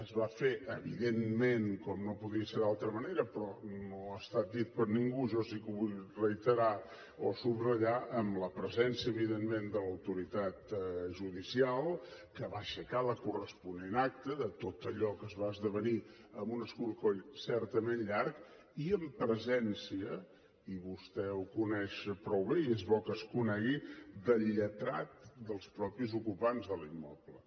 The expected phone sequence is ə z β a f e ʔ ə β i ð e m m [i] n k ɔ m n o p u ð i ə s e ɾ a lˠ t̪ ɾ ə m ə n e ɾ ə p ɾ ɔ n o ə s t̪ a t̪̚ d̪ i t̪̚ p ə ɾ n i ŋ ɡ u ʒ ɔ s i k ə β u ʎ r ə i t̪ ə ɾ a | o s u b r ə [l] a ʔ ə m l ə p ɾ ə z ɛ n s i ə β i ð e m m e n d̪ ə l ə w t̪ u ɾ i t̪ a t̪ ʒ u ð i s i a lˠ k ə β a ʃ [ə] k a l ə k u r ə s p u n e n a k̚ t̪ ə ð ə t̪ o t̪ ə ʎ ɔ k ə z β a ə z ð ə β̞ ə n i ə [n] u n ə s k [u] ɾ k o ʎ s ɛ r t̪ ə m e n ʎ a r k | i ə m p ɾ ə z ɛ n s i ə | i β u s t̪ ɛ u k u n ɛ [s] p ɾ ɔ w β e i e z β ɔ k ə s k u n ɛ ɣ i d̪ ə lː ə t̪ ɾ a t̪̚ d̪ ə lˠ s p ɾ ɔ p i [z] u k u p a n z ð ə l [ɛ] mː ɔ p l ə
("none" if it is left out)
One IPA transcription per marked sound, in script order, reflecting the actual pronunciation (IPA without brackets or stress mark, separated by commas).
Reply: e, ʎ, ə, m, u, ʃ, z, i